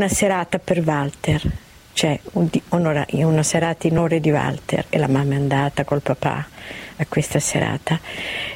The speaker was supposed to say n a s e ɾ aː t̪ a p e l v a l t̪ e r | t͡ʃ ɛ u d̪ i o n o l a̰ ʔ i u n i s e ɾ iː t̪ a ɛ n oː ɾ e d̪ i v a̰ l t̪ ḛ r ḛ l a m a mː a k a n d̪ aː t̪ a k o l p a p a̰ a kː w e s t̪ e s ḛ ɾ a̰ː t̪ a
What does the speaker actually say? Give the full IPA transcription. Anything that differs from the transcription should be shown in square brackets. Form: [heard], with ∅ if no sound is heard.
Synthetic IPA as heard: n a s e ɾ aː t̪ a p e [r] v a l t̪ e r | t͡ʃ ɛ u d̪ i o n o [ɾ] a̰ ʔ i u n [a] s e ɾ [aː] t̪ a [i] n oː ɾ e d̪ i v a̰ l t̪ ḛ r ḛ l a m a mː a [∅] a n d̪ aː t̪ a k o l p a p a̰ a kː w e s t̪ [a] s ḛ ɾ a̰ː t̪ a